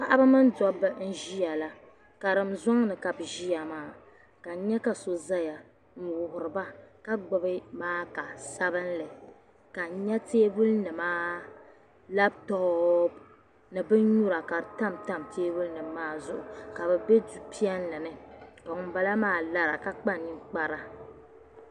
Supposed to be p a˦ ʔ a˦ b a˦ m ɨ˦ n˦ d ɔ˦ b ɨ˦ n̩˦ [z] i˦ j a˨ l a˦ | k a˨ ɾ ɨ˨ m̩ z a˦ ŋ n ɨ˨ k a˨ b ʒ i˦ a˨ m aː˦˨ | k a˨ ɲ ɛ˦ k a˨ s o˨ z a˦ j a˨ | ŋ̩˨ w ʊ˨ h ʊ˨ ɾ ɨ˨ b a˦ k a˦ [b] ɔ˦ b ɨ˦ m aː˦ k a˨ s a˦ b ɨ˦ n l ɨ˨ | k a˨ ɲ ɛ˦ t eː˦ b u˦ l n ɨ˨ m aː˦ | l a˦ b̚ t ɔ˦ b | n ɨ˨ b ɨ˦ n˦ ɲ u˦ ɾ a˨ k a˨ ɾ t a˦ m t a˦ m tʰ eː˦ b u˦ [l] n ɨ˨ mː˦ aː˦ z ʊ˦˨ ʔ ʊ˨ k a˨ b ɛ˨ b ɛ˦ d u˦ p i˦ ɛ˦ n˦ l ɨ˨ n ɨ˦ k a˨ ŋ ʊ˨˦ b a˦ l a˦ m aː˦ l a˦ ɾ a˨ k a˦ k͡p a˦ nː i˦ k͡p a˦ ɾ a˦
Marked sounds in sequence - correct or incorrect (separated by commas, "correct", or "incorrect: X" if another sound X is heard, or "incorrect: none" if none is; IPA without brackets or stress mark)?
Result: incorrect: ʒ, incorrect: ɡ͡b, correct